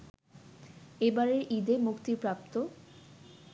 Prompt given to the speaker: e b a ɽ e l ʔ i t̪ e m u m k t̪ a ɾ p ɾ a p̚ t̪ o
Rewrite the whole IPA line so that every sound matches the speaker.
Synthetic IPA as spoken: e b a ɾ e ɾ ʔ i d̪ e m u k t̪ i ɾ p ɾ a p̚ t̪ o